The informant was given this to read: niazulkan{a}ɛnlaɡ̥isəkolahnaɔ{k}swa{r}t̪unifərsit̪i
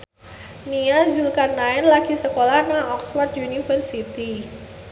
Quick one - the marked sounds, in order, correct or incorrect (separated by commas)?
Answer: correct, correct, correct